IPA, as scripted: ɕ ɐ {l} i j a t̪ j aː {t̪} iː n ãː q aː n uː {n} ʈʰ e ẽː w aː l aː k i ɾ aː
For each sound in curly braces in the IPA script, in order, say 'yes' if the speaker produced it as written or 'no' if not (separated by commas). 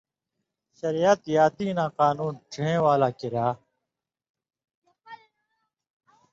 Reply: no, yes, yes